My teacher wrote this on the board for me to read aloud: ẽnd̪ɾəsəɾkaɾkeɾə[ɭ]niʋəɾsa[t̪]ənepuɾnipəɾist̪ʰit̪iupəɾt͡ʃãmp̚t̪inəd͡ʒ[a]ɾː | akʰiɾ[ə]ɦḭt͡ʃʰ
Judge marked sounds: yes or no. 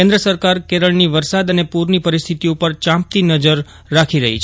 yes, no, no, yes

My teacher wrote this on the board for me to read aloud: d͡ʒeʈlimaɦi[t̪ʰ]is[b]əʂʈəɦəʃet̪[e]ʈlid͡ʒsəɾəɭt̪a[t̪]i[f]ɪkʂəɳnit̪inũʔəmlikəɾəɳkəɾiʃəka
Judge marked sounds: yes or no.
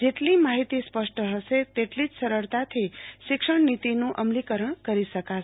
no, no, yes, no, no

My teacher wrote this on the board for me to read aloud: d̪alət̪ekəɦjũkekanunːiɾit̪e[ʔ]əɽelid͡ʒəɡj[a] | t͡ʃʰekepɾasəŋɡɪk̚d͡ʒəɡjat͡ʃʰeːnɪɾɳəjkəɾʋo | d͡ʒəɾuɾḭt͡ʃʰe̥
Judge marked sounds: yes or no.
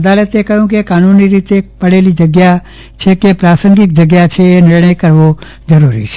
no, yes

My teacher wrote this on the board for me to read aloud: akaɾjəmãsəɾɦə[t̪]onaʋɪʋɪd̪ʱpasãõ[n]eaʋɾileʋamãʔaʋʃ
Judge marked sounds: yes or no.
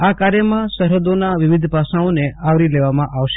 no, yes

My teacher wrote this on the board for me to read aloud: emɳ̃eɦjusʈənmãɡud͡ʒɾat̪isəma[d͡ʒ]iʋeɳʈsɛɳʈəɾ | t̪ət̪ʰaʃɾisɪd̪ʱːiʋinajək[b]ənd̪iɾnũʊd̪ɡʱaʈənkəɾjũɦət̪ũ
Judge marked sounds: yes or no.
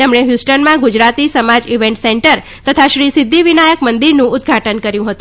yes, no

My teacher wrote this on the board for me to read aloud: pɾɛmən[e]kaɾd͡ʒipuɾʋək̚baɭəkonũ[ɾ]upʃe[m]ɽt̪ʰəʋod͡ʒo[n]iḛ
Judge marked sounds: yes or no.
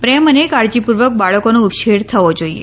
yes, no, no, no

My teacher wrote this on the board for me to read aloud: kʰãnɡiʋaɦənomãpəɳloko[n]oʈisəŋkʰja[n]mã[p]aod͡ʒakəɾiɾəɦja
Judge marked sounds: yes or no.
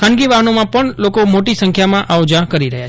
no, no, no

